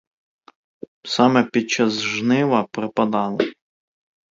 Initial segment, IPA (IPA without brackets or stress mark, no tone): s